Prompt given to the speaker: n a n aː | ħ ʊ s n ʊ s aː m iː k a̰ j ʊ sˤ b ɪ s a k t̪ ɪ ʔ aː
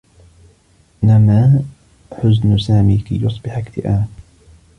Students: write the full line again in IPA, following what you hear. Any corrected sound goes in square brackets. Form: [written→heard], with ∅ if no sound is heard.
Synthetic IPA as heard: n a [n→m] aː | ħ ʊ [s→z] n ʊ s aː m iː k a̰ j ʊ sˤ b ɪ [s→ħ] a k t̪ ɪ ʔ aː